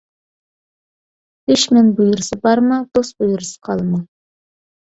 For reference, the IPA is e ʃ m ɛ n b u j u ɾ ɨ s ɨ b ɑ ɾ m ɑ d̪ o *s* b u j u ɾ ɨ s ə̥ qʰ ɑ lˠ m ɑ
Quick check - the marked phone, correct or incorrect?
correct